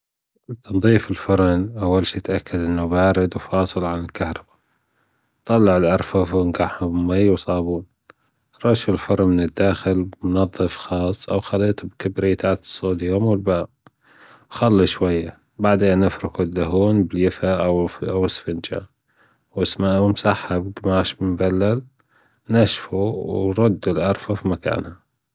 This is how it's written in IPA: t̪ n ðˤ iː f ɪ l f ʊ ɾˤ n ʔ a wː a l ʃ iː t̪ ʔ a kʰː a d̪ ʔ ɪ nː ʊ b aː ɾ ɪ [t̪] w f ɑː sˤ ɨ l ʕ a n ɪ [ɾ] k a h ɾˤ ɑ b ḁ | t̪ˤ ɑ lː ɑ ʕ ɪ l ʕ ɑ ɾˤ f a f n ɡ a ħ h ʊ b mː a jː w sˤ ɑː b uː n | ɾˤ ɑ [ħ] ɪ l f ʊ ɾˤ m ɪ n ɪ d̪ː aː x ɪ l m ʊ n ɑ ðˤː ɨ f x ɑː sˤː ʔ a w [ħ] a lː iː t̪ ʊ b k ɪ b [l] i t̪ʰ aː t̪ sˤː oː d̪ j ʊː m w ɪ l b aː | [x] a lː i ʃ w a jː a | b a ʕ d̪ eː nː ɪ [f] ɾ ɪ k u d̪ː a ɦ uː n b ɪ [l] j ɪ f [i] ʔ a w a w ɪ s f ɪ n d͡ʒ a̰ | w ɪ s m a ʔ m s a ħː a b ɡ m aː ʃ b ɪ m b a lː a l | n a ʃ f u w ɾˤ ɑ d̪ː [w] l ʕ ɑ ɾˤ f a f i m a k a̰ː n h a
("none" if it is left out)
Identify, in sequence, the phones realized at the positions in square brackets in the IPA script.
d̪, l, ʃ, x, ɾ, x, f, l, a, u

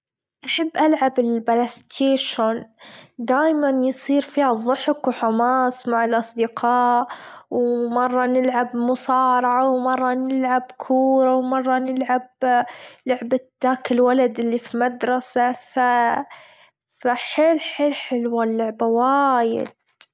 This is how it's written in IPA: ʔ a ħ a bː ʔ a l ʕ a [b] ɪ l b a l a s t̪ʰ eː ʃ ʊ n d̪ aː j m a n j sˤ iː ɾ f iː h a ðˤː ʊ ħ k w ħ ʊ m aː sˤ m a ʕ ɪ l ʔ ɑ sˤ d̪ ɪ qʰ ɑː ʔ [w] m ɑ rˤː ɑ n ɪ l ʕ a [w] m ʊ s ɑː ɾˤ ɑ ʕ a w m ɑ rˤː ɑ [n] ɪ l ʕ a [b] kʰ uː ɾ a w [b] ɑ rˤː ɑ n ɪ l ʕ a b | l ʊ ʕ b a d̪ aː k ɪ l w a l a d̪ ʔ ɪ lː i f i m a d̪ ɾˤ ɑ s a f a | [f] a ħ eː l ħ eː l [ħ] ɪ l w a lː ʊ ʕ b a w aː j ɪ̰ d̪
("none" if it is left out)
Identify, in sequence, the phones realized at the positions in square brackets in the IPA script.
b, w, b, n, b, m, f, ħ

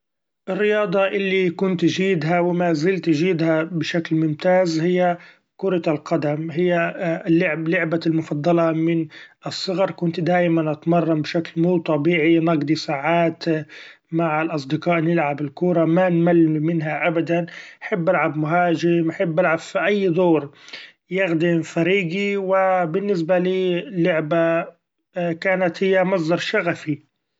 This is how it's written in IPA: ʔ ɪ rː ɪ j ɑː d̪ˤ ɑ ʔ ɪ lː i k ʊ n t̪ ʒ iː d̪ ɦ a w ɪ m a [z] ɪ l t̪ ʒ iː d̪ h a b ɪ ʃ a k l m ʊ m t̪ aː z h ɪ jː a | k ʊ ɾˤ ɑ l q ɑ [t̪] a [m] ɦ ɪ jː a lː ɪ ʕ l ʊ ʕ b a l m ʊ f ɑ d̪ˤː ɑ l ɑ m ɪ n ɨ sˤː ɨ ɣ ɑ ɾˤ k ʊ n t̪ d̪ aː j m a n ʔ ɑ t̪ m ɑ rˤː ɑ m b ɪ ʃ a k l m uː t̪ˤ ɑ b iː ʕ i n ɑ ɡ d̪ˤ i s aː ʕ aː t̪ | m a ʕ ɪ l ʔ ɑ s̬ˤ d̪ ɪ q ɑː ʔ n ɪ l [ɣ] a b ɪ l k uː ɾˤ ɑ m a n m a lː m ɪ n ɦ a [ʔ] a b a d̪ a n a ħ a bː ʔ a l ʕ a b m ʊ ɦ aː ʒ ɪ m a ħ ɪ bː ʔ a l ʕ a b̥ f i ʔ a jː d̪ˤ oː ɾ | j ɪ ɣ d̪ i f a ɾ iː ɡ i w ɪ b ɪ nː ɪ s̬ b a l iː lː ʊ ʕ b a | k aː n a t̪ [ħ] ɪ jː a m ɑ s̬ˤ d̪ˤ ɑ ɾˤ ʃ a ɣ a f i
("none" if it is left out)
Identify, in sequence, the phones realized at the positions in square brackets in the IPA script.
z, d̪, m, ʕ, ʔ, h

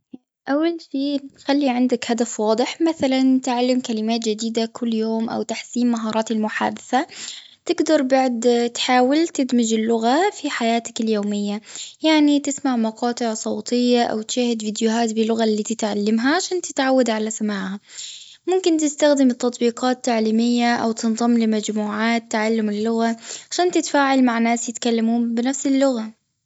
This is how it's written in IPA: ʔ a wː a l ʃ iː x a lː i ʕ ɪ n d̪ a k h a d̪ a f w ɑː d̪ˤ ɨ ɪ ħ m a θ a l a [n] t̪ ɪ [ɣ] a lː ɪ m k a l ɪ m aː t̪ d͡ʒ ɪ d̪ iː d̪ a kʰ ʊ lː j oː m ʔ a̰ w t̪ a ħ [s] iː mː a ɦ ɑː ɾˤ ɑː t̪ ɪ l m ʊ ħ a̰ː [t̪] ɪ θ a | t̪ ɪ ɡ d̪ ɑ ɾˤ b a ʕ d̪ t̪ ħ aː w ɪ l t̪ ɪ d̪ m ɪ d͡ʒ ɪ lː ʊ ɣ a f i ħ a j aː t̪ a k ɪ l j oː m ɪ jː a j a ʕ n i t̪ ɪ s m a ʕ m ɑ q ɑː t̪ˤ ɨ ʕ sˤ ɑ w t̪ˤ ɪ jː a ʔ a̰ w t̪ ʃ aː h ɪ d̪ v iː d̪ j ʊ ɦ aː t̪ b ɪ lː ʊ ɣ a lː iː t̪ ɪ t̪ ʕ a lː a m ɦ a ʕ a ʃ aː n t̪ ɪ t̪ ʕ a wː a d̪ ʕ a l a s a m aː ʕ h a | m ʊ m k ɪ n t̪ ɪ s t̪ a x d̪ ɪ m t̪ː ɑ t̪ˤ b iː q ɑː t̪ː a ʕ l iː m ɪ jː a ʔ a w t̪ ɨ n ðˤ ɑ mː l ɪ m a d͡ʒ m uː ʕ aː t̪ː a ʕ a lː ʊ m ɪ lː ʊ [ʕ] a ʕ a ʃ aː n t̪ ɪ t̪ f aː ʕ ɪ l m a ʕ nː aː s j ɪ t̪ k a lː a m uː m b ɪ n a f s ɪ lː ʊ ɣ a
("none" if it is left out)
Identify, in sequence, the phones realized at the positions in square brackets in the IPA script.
n, ʕ, s, d̪, ɣ

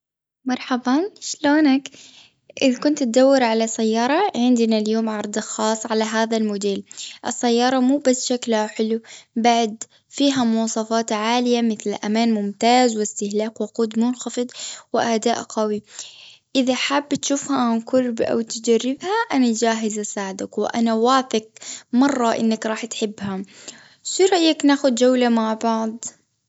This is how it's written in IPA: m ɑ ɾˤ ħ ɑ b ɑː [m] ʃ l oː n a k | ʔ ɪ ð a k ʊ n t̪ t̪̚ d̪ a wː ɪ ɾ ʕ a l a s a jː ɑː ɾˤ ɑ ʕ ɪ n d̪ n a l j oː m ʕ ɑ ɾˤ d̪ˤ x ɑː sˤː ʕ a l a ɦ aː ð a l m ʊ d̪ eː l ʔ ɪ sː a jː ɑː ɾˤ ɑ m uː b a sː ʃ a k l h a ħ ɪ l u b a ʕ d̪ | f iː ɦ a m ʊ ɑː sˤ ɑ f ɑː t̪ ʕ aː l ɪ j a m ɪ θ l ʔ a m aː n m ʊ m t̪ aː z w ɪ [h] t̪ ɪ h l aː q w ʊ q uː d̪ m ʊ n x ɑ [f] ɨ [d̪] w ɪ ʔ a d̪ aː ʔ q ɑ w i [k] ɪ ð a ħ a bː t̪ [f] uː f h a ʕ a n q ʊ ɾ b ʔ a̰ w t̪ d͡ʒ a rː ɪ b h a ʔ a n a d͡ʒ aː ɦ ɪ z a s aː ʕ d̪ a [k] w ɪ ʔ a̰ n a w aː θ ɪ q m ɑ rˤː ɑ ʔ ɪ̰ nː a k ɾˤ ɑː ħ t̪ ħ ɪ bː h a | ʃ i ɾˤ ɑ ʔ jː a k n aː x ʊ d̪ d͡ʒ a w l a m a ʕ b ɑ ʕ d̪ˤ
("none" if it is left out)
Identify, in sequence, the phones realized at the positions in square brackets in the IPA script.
n, s, f, d̪, ʔ, ʃ, k

